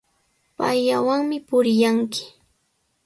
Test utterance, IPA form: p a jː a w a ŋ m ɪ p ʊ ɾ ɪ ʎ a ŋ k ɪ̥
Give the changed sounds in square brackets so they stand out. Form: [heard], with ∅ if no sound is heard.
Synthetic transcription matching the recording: p a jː a w a ŋ m ɪ p ʊ ɾ ɪ [j] a ŋ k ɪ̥